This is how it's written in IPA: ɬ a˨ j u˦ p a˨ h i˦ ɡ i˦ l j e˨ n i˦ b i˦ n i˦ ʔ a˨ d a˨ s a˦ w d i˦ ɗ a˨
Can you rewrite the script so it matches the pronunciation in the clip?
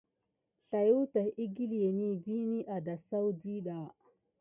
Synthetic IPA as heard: ɬ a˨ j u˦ t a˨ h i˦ ɡ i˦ l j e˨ n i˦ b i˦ n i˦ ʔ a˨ d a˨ s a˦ w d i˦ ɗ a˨